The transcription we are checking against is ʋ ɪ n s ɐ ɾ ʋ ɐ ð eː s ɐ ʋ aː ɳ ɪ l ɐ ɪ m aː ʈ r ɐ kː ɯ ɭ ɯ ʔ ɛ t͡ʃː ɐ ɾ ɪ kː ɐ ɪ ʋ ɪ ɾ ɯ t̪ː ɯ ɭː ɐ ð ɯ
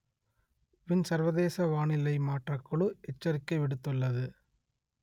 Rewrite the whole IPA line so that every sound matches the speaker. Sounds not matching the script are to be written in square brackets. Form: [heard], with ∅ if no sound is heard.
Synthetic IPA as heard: ʋ ɪ n s ɐ ɾ ʋ ɐ ð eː s ɐ ʋ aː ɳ ɪ l ɐ ɪ m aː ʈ r ɐ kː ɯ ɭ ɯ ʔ ɛ t͡ʃː ɐ ɾ ɪ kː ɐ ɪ ʋ ɪ [ɽ] ɯ t̪ː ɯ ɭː ɐ ð ɯ